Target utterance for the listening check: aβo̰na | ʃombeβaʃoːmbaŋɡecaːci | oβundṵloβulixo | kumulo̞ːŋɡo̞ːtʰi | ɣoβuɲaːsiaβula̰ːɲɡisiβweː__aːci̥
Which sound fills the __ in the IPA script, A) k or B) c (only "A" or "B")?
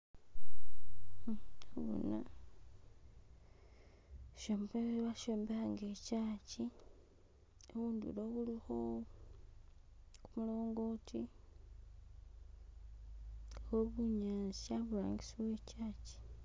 B